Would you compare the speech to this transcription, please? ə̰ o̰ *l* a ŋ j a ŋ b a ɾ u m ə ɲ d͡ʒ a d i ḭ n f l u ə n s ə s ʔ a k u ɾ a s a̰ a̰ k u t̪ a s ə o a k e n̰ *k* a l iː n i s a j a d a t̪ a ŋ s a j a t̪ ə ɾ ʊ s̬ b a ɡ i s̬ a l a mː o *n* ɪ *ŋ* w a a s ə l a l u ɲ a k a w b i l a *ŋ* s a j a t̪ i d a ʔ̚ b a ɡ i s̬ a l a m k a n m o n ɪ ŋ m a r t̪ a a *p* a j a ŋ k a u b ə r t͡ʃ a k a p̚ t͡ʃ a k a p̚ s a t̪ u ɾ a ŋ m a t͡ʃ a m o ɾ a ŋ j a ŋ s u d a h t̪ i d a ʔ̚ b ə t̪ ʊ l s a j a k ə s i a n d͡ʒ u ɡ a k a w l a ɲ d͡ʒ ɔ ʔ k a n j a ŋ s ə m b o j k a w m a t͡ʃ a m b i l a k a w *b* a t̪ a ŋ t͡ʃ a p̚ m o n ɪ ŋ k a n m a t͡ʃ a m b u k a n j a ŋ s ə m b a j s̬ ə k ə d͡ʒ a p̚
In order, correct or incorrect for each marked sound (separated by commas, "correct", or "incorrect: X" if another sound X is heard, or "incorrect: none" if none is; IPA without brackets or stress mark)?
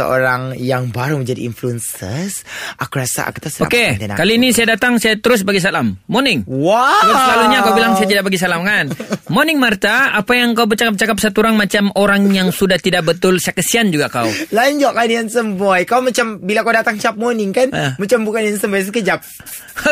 incorrect: ɾ, correct, correct, correct, correct, correct, incorrect: d